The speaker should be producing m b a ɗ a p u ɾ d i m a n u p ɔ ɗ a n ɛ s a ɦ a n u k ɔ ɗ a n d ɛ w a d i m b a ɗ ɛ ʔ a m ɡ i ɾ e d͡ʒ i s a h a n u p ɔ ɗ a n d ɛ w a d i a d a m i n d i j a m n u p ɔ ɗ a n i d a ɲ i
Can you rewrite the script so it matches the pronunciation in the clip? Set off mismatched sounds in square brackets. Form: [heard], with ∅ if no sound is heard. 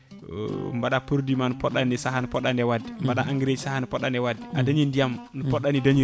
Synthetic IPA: m b a ɗ a p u ɾ d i m a n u p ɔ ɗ a n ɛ s a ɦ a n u [p] ɔ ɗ a n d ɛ w a d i m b a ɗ [a] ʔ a [ŋ] ɡ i ɾ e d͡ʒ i s a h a n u p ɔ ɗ a n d ɛ w a d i a d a [ɲ] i n d i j a m n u p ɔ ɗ a n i d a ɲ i